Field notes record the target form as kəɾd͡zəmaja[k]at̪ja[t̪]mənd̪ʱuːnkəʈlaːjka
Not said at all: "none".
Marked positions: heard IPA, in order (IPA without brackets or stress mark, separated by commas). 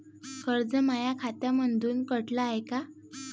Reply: kʰ, none